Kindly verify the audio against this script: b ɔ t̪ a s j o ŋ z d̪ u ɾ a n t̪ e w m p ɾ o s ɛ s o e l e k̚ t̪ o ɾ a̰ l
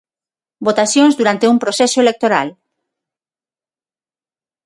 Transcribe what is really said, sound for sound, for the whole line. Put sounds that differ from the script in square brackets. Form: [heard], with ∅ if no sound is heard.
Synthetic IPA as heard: b [o] t̪ a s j o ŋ z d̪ u ɾ a n t̪ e [u] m p ɾ o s ɛ s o e l e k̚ t̪ o ɾ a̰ l